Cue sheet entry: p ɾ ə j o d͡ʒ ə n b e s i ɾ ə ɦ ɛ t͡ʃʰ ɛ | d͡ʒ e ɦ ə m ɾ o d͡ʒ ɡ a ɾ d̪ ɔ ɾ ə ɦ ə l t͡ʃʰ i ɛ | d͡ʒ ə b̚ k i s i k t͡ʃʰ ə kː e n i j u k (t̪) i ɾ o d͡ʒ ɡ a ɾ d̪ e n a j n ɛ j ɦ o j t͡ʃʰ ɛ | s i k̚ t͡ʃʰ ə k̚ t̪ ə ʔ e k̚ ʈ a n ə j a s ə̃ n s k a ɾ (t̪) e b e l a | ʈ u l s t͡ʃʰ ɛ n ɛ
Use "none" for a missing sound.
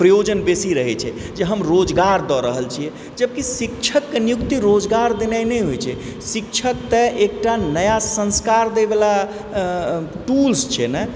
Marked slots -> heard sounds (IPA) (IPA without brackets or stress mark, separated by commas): t̪, d̪